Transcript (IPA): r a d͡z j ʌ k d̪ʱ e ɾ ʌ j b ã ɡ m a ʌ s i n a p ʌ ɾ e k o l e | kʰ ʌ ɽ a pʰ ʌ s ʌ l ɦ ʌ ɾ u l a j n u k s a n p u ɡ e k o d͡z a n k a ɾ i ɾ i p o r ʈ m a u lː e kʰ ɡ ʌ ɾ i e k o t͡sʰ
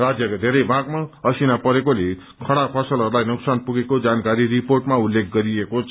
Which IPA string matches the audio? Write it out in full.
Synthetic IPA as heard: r a d͡z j ʌ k d̪ʱ e ɾ ʌ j b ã ɡ m a ʌ s i n a p ʌ ɾ e k o l e | kʰ ʌ ɽ a pʰ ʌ s ʌ l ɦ ʌ ɾ u l a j n u k s a n p u ɡ e k o d͡z a n k a ɾ i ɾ i p o r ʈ m a u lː e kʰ ɡ ʌ ɾ i e k o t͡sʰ